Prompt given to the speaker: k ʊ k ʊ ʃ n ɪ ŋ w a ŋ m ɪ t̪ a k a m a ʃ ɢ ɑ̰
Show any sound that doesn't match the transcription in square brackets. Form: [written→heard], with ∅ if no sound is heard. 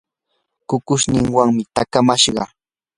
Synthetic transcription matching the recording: k ʊ k ʊ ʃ n ɪ ŋ w a ŋ m ɪ t̪ a k a m a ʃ ɢ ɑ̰